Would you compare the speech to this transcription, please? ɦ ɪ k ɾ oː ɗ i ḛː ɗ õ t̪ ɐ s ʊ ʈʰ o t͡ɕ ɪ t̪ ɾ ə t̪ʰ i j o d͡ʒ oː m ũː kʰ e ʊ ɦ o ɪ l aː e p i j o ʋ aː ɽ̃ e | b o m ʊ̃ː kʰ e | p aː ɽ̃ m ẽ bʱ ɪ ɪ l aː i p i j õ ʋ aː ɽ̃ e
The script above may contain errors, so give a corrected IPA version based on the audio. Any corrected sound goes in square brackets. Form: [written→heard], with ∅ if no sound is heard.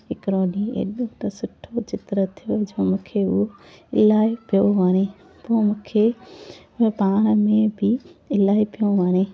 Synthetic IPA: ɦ ɪ k ɾ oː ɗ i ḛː ɗ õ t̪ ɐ s ʊ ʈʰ o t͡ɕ ɪ t̪ ɾ ə t̪ʰ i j o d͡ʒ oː m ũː kʰ e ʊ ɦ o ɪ l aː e p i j o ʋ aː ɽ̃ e | [b→p] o m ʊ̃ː kʰ e | p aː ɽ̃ m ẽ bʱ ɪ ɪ l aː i p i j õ ʋ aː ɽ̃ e